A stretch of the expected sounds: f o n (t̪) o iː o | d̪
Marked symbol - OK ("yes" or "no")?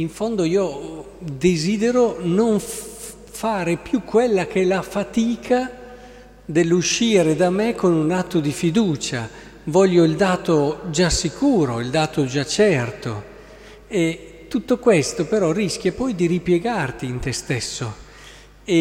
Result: no